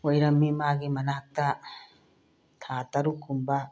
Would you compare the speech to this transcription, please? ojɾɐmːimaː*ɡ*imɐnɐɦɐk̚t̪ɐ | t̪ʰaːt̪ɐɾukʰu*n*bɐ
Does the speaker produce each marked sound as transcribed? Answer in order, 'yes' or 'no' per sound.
yes, no

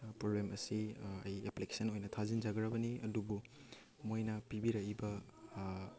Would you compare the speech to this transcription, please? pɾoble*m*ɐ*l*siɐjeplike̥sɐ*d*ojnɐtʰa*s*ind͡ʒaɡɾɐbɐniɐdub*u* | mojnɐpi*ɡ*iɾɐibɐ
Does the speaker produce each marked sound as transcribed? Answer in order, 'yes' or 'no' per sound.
yes, no, no, no, yes, no

